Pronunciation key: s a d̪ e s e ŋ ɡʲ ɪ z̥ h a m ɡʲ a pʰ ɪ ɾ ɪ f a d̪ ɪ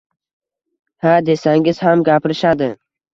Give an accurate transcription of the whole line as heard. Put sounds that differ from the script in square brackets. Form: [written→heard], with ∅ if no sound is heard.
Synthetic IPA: [s→h] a d̪ e s [e→a] ŋ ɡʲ ɪ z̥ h a m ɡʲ a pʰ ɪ ɾ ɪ [f→ʃ] a d̪ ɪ